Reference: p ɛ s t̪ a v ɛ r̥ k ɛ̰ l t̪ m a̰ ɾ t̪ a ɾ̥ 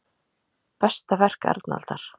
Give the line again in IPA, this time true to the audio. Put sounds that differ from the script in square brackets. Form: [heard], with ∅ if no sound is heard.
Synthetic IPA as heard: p ɛ s t̪ a v ɛ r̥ k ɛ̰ [ɾ] t̪ [n] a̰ [l] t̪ a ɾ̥